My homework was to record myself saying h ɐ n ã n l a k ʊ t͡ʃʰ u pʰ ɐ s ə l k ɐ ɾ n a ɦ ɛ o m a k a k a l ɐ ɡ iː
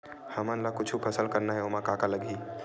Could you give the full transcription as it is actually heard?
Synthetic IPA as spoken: h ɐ m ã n l a k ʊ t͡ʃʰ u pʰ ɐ s ə l k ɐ ɾ n a ɦ ɛ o m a k a k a l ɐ ɡ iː